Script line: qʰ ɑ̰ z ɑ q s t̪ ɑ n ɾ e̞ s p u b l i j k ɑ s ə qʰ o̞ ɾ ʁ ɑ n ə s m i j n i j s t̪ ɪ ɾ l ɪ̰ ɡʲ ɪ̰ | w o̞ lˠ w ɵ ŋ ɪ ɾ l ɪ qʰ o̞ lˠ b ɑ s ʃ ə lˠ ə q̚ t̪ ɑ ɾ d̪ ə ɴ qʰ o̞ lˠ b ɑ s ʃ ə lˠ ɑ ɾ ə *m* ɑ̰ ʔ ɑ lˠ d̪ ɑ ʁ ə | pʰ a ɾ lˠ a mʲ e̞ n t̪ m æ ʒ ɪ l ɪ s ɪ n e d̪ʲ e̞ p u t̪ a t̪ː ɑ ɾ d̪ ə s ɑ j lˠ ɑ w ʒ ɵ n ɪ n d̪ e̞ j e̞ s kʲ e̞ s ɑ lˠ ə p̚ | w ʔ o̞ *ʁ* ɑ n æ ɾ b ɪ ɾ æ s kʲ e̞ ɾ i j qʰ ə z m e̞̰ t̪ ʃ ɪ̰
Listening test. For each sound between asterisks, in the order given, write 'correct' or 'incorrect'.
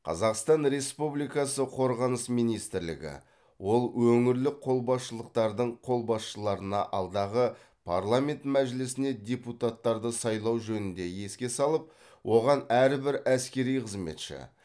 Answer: incorrect, correct

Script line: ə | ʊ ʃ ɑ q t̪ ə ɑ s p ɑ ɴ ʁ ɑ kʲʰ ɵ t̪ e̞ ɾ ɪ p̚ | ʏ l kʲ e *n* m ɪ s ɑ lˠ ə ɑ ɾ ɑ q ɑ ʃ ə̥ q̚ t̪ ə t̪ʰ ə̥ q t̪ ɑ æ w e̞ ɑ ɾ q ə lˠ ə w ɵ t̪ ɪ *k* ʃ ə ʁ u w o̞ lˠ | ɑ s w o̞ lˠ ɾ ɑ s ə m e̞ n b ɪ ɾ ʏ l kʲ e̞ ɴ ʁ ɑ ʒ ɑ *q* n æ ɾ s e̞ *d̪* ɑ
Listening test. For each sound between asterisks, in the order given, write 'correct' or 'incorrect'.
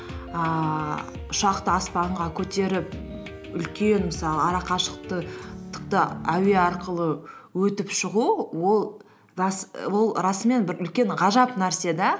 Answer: correct, incorrect, incorrect, correct

